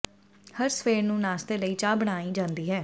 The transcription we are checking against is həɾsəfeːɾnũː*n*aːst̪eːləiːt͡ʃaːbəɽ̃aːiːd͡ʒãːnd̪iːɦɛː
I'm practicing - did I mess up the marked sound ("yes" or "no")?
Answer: no